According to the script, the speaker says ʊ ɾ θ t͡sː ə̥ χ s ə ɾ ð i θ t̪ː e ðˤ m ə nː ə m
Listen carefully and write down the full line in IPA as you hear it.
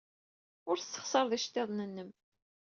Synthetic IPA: ʊ ɾ θ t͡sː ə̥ χ s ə ɾ ð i ʃ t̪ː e ðˤ n ə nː ə m